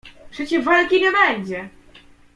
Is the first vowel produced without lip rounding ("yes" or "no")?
yes